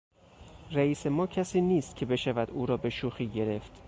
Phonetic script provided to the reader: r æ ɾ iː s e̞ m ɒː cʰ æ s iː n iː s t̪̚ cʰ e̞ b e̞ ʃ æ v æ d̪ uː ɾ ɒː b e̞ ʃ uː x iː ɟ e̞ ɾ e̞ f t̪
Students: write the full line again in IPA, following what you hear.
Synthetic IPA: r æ iː s e̞ m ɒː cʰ æ s iː n iː s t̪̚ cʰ e̞ b e̞ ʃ æ v æ d̪ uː ɾ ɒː b e̞ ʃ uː x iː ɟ e̞ ɾ e̞ f t̪